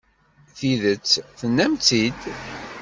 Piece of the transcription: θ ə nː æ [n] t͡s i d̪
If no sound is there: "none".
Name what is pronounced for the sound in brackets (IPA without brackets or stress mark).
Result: m